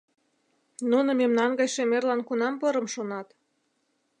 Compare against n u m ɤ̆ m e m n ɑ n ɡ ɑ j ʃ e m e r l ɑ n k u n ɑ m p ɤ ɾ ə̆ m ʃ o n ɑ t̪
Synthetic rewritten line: n u n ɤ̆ m e m n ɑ n ɡ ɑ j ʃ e m e r l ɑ n k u n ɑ m p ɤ ɾ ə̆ m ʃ o n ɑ t̪